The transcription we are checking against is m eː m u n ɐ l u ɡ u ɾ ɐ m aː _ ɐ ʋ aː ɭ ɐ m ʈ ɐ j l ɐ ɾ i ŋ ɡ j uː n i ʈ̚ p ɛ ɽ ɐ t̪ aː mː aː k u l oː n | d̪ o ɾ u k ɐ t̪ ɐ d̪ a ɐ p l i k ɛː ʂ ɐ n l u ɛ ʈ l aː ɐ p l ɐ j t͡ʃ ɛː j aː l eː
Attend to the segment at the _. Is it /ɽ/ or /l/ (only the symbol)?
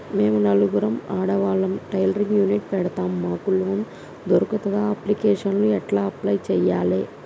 ɽ